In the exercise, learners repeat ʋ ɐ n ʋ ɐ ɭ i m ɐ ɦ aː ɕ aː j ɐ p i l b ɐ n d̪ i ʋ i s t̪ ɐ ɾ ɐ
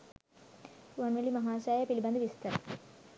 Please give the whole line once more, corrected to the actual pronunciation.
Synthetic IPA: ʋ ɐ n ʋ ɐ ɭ i m ɐ ɦ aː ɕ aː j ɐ p i l b ɐ n d̪ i ʋ i s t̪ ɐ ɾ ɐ